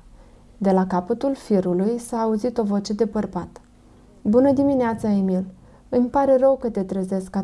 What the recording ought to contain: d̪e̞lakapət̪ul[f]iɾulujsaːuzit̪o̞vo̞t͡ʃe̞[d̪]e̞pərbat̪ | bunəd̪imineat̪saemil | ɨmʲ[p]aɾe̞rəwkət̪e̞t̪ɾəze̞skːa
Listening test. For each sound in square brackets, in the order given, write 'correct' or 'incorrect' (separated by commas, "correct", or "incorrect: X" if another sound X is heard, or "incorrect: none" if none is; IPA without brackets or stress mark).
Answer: correct, correct, correct